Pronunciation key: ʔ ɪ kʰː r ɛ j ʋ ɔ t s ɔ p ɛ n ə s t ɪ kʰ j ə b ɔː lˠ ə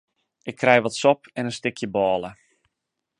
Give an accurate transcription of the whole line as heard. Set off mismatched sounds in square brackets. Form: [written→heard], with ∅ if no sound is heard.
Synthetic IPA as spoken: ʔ ɪ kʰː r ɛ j ʋ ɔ t s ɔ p ɛ n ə s t ɪ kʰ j ə b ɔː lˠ ə